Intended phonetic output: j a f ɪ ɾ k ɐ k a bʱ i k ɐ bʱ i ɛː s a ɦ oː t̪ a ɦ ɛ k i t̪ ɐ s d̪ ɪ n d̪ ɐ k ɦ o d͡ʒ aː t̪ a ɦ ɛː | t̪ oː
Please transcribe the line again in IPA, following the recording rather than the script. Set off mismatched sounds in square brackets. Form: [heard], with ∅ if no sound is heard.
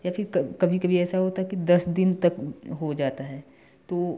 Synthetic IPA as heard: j a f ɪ ɾ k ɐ k [ɐ] bʱ i k ɐ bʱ i ɛː s a ɦ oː t̪ a ɦ ɛ k i [d̪] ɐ s d̪ ɪ n [t̪] ɐ k ɦ o d͡ʒ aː t̪ a ɦ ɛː | t̪ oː

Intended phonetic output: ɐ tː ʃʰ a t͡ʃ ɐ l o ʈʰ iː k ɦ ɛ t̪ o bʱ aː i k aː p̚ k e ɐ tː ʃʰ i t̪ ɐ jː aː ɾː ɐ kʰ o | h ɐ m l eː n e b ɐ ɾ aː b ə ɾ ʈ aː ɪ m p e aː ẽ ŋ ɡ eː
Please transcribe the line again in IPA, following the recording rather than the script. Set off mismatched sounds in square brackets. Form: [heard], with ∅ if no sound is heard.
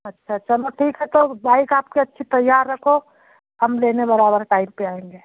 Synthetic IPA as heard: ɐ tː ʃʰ a t͡ʃ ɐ l o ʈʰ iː k ɦ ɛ t̪ o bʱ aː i k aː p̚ k e ɐ tː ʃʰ i t̪ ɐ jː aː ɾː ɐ kʰ o | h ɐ m l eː n e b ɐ ɾ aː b ə ɾ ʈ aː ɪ m p e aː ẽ ŋ ɡ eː

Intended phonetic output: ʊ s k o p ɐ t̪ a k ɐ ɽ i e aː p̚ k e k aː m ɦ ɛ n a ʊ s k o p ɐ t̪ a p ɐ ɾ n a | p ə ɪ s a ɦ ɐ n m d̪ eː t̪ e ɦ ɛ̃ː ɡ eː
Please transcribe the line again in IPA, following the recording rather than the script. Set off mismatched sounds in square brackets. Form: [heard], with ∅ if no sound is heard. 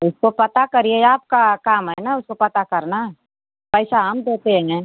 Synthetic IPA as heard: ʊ s k o p ɐ t̪ a k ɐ [ɾ] i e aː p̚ k [a] k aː m ɦ ɛ n a ʊ s k o p ɐ t̪ a [k] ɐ ɾ n a | p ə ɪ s a ɦ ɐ [∅] m d̪ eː t̪ e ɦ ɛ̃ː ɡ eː

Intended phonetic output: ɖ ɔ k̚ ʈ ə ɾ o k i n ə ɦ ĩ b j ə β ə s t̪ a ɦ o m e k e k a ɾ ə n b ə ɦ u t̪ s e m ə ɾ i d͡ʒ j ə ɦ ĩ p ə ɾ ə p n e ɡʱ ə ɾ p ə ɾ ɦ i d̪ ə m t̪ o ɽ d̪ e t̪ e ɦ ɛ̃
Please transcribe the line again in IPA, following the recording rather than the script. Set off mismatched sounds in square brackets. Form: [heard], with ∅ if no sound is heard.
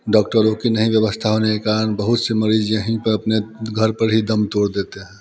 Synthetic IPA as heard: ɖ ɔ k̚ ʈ ə ɾ o k i n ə ɦ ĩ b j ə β ə s [t̪ʰ] a ɦ o [n] e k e k a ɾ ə n b ə ɦ u t̪ s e m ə ɾ i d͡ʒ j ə ɦ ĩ p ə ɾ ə p n e ɡʱ ə ɾ p ə ɾ ɦ i d̪ ə m t̪ o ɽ d̪ e t̪ e ɦ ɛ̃

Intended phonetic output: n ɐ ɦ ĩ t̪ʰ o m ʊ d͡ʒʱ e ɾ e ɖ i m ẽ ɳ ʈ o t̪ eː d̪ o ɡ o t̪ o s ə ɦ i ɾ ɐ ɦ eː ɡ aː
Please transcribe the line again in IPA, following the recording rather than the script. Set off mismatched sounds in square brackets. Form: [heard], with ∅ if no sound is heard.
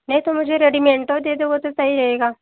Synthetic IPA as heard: n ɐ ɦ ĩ [t̪] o m ʊ d͡ʒʱ e ɾ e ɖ i m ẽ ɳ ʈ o [d̪] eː d̪ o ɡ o t̪ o s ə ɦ i ɾ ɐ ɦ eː ɡ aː

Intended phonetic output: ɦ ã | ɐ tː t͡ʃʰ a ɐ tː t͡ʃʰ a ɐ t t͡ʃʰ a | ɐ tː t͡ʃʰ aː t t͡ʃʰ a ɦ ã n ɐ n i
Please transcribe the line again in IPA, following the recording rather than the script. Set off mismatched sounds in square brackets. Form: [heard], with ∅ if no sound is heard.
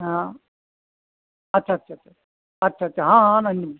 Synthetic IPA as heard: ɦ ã | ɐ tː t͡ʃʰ a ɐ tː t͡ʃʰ a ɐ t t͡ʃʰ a | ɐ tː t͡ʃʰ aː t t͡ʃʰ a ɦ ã n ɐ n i

